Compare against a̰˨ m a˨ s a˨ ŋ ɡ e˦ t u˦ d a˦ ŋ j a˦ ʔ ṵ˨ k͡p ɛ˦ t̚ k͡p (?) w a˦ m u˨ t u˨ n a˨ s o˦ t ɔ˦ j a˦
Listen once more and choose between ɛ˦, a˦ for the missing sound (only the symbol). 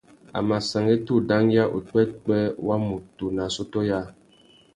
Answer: ɛ˦